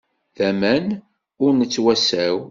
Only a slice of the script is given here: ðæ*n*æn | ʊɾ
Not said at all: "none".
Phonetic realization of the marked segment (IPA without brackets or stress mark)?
m